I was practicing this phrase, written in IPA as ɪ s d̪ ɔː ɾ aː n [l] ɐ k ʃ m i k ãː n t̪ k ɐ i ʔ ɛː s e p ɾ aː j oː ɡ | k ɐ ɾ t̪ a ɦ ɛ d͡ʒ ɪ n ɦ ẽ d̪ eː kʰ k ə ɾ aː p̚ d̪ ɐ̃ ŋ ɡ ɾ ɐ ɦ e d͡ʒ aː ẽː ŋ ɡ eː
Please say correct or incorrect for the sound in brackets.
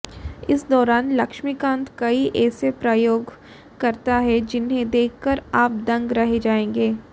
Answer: correct